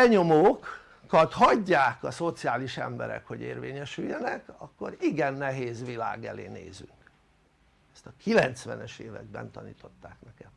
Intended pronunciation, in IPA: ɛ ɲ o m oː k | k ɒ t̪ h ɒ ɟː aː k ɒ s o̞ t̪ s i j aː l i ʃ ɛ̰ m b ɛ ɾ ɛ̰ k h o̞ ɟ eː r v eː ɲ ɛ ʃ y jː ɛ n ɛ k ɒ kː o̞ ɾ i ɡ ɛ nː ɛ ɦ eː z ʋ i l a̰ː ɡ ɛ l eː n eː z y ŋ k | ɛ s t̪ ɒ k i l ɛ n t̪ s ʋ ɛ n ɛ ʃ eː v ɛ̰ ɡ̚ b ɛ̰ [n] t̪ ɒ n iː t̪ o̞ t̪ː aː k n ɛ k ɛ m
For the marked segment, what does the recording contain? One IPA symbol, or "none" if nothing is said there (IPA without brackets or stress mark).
n